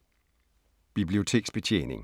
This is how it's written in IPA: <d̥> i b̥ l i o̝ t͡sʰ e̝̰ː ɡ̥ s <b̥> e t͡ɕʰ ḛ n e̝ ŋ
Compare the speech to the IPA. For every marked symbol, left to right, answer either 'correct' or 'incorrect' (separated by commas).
incorrect, correct